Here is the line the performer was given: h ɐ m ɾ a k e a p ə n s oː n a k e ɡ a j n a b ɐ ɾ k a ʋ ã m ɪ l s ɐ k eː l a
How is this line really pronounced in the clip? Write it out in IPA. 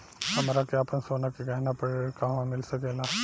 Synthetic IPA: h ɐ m ɾ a k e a p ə n s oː n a k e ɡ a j n a p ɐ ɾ k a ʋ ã m ɪ l s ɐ k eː l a